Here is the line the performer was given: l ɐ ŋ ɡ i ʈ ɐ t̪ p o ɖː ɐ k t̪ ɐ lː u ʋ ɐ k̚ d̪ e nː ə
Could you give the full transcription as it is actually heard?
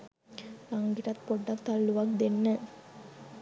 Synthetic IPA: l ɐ ŋ ɡ i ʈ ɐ t̪ p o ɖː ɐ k t̪ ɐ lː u ʋ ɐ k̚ d̪ e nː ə

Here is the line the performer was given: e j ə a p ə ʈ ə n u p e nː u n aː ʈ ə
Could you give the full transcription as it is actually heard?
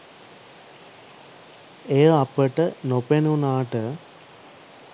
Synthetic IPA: e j ə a p ə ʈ ə n o p e n u n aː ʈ ə

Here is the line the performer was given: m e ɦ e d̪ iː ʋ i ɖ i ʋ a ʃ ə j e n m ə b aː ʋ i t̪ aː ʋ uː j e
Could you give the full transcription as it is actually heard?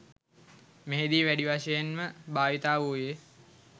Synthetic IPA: m e ɦ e d̪ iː ʋ æ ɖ i ʋ a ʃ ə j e n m ə b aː ʋ i t̪ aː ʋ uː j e

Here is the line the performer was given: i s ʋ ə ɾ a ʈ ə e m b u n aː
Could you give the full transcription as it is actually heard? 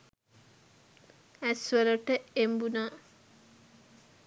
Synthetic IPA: æ s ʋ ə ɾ ə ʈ ə e m b u n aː

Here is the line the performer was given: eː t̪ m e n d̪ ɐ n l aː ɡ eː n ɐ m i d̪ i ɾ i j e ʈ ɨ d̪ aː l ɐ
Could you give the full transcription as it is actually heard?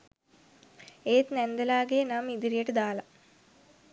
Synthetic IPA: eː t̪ n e n d̪ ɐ l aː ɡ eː n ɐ m i d̪ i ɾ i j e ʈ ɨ d̪ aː l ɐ

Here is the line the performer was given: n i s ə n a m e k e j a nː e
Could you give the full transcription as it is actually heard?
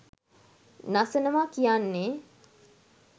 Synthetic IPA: n a s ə n ə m a k i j a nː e

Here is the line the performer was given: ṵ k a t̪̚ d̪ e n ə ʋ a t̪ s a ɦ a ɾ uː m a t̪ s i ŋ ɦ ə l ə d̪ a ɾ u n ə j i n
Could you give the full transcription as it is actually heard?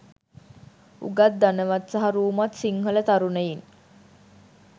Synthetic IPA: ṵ ɡ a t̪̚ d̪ a n ə ʋ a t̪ s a ɦ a ɾ uː m a t̪ s i ŋ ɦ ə l ə t̪ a ɾ u n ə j i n

